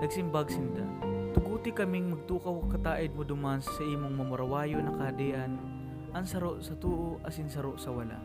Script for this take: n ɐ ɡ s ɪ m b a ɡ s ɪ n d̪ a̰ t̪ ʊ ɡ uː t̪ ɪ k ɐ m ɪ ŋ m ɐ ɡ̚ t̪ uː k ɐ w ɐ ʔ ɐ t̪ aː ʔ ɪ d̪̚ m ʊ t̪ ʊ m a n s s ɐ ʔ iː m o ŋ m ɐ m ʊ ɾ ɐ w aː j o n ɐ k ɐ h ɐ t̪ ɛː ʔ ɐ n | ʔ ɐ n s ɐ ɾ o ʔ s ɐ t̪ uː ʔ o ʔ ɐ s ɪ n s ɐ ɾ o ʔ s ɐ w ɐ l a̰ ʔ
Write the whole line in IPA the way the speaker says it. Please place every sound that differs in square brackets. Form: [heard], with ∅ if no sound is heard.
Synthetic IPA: n ɐ ɡ s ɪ m b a ɡ s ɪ n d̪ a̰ t̪ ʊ ɡ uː t̪ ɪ k ɐ m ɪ ŋ m ɐ ɡ̚ t̪ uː k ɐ w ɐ [k] ɐ t̪ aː ʔ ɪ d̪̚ m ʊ [d̪] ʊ m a n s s ɐ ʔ iː m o ŋ m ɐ m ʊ ɾ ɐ w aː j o n ɐ k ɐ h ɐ [d̪] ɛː ʔ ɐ n | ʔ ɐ n s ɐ ɾ o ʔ s ɐ t̪ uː ʔ o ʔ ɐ s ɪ n s ɐ ɾ o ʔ s ɐ w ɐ l a̰ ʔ